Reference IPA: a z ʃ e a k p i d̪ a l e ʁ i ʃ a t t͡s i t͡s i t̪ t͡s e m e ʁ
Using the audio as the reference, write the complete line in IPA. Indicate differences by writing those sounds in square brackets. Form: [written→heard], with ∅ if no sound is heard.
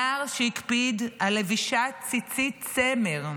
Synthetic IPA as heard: a [z→ʁ] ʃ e [a→i] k p i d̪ a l e [ʁ→v] i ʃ a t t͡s i t͡s i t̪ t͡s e m e ʁ